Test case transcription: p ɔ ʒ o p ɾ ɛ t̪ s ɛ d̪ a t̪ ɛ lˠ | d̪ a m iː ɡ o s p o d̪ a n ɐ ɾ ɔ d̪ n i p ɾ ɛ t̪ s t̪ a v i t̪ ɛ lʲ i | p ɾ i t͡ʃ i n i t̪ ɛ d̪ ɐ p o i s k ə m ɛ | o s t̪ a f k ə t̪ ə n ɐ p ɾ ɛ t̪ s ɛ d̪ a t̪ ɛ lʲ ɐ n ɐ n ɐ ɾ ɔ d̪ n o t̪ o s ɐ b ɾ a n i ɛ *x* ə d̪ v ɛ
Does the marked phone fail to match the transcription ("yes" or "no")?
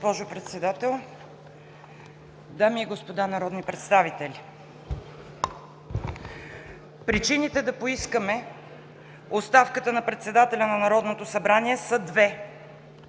yes